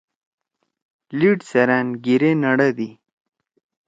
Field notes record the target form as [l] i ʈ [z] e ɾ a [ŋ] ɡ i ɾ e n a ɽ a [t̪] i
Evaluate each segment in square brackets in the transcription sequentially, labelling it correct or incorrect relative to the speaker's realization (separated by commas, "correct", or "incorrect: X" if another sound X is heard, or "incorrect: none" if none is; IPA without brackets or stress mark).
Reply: correct, incorrect: s, incorrect: n, incorrect: d̪